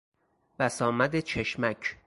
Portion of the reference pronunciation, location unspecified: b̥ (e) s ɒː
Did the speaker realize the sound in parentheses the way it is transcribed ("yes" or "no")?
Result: no